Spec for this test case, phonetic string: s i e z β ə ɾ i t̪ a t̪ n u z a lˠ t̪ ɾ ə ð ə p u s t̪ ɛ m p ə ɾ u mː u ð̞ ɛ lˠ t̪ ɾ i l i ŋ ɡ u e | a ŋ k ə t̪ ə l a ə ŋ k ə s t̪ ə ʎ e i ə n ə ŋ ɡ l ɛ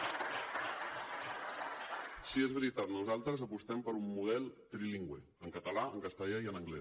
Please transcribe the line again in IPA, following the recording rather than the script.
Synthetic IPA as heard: s i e z β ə ɾ i t̪ a t̪ n u z a lˠ t̪ ɾ ə z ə p u s t̪ ɛ m p ə ɾ u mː u ð̞ ɛ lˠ t̪ ɾ i l i ŋ ɡ w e | ə ŋ k ə t̪ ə l a ə ŋ k ə s t̪ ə ʎ a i ə n ə ŋ ɡ l ɛ